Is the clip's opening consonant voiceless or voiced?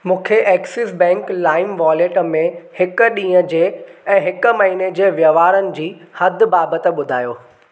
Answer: voiced